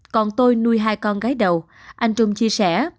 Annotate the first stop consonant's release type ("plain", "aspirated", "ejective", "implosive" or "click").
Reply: plain